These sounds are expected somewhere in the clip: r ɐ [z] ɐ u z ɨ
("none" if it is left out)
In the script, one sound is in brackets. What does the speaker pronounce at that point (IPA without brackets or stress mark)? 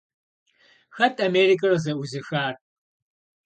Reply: z